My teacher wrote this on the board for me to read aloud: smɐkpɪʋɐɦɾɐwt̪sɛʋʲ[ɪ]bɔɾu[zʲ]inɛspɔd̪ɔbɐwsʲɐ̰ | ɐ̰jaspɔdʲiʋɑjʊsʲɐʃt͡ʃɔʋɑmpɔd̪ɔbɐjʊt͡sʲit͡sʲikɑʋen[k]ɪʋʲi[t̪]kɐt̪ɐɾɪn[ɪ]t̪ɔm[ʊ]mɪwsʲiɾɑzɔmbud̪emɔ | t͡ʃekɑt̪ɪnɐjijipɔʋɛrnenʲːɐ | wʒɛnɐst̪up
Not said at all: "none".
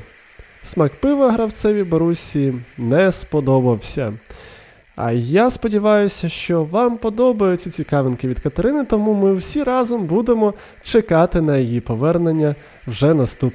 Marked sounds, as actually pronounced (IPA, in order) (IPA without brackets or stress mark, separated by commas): i, sʲ, k, d̪, ɪ, u